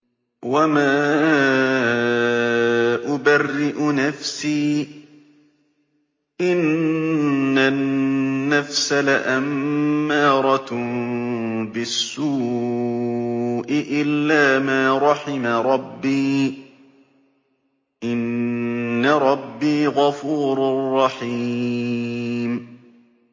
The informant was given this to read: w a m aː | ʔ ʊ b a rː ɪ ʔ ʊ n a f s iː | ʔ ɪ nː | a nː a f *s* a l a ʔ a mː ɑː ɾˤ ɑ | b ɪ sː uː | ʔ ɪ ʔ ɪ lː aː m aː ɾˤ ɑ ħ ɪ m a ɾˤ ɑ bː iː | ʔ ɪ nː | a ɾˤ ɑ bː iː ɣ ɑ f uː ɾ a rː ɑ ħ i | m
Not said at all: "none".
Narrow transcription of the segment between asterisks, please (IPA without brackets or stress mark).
s